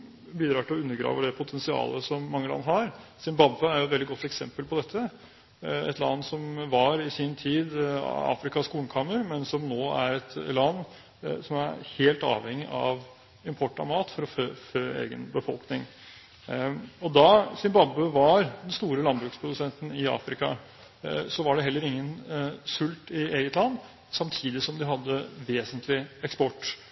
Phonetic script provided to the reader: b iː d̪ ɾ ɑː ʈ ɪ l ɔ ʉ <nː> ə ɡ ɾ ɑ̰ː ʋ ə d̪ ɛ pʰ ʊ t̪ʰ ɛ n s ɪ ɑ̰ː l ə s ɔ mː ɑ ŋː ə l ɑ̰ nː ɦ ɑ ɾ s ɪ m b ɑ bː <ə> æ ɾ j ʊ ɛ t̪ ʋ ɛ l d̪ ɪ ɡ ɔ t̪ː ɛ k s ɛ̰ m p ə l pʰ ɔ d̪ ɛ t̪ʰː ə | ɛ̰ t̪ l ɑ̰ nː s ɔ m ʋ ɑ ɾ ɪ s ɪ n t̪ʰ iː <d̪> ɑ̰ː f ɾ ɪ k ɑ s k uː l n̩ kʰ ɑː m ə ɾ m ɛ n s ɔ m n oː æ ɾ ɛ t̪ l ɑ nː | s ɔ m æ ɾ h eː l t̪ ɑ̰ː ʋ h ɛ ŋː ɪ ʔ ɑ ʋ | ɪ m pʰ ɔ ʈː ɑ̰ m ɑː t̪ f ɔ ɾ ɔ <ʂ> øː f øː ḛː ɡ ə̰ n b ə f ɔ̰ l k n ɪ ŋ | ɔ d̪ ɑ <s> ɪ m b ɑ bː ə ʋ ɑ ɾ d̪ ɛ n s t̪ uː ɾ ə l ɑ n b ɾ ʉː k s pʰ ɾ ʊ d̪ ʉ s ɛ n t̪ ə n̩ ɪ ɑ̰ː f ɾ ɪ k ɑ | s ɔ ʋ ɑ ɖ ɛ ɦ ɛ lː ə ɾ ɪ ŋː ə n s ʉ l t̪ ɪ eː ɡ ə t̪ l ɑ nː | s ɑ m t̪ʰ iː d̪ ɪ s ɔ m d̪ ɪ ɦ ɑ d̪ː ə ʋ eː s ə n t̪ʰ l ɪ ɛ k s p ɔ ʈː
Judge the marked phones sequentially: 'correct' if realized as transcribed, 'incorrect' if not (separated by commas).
correct, correct, correct, incorrect, correct